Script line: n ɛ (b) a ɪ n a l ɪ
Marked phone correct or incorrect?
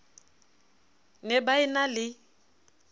correct